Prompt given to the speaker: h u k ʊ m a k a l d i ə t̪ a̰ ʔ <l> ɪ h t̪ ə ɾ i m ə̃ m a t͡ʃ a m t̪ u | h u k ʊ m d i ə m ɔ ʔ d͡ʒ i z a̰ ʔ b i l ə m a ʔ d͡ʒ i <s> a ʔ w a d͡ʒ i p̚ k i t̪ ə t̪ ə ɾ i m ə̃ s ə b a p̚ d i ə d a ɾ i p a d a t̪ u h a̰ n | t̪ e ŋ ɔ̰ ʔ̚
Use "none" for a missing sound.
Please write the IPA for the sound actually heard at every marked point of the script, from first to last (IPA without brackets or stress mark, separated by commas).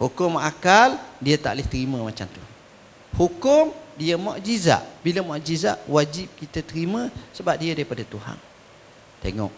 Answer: l, z